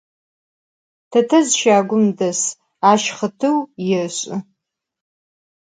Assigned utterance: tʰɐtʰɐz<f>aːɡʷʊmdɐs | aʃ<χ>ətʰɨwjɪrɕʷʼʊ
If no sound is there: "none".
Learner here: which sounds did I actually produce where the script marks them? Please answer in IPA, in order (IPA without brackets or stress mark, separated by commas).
ʃ, χ